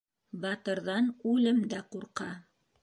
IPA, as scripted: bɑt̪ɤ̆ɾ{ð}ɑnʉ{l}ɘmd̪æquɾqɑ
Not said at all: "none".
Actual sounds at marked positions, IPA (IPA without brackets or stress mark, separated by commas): ð, l